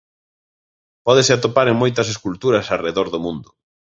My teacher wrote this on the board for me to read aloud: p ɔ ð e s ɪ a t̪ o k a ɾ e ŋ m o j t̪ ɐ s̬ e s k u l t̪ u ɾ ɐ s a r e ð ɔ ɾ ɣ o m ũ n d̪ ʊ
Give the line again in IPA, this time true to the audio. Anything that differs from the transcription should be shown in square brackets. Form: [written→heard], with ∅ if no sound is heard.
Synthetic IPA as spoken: p ɔ ð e s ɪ a t̪ o [k→p] a ɾ e ŋ m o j t̪ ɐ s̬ e s k u l t̪ u ɾ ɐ s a r e ð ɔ ɾ [ɣ→ð] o m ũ n d̪ ʊ